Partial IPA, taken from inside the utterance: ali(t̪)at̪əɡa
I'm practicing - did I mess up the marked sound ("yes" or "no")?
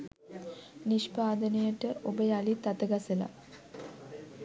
no